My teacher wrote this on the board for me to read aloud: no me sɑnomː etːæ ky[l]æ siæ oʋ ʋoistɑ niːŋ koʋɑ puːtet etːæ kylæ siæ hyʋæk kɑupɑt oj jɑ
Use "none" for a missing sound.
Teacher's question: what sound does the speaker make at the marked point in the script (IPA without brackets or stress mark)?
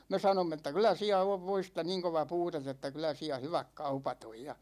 l